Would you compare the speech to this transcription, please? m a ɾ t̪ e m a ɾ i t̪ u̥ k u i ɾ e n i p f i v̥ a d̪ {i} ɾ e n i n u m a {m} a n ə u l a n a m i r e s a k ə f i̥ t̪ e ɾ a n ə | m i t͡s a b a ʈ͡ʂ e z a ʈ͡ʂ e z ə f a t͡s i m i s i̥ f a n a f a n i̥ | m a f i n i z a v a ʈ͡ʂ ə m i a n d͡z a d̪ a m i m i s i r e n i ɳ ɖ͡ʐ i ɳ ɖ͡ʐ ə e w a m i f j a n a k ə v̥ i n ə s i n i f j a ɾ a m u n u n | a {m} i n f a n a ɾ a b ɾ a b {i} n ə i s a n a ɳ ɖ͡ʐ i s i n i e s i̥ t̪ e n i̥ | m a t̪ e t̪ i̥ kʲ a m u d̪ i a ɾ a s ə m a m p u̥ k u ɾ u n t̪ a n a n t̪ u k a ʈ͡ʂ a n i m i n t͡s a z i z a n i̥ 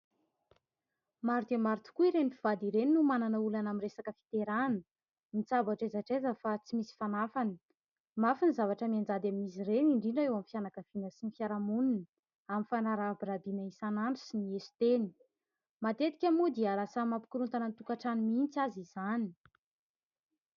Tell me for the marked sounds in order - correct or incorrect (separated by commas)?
correct, incorrect, correct, correct